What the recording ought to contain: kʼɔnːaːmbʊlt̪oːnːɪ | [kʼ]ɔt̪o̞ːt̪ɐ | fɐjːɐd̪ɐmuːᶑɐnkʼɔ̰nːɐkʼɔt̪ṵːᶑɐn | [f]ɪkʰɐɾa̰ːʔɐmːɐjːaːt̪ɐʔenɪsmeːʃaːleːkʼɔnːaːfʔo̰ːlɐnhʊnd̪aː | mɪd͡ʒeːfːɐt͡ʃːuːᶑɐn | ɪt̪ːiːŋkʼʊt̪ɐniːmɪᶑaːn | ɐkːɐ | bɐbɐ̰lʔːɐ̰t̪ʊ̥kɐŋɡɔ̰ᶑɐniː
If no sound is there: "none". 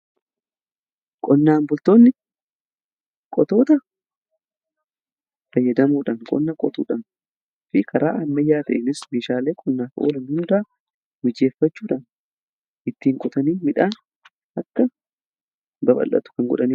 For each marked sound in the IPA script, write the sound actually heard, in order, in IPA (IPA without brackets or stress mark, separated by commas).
kʼ, f